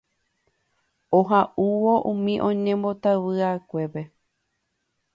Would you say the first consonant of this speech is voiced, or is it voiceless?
voiced